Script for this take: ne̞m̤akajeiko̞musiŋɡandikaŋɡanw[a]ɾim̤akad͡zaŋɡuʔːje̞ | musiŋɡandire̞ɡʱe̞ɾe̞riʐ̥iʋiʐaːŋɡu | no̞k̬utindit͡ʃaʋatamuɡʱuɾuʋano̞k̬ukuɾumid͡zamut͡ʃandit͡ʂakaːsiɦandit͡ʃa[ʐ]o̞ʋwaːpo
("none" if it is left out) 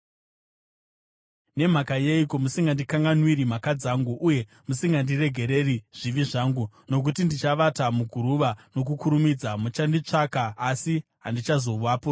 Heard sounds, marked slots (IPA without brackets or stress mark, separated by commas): i, z